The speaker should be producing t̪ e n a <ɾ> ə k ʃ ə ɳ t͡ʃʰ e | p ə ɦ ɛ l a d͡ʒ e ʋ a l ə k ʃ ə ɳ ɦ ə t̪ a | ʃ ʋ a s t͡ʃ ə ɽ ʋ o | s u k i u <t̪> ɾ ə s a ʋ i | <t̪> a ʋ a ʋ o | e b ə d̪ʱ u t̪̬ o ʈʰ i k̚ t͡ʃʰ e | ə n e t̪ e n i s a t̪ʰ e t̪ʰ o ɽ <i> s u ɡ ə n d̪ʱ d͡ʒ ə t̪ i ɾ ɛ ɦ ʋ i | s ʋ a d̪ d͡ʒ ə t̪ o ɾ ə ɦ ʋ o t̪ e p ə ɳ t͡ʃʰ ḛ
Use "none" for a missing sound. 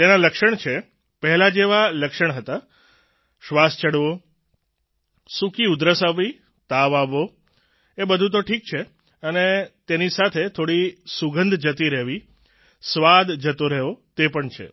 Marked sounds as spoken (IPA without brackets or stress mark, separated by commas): l, d̪, t̪, i